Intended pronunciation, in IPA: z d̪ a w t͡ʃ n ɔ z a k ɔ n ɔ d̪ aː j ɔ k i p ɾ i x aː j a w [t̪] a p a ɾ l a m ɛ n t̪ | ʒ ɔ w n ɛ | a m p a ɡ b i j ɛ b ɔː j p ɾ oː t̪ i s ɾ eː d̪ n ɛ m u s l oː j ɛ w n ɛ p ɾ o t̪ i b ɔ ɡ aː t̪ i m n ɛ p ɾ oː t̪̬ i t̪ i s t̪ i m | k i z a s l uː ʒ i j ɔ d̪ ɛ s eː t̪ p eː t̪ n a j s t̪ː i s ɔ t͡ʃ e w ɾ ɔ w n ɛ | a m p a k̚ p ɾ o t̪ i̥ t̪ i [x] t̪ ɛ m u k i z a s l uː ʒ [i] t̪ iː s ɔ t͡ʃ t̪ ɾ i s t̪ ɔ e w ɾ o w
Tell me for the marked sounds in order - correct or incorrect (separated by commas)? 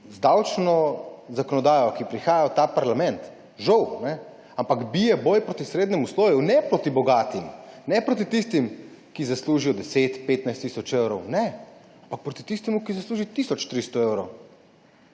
correct, incorrect, correct